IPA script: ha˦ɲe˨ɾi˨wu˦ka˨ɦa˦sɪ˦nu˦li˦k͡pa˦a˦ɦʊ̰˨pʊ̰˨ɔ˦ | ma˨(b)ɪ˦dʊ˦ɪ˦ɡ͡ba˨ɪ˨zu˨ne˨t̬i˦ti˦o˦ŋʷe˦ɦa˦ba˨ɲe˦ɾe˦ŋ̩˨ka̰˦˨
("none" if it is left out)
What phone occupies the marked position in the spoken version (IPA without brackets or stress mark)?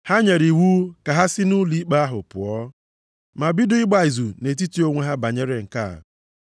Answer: b